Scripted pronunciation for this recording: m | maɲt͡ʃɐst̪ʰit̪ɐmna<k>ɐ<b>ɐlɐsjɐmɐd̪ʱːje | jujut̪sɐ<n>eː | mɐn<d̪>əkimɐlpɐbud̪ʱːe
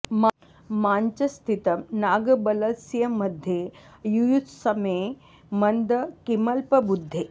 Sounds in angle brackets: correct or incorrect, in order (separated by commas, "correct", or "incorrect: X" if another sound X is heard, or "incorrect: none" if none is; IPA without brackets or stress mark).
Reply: incorrect: ɡ, correct, incorrect: m, correct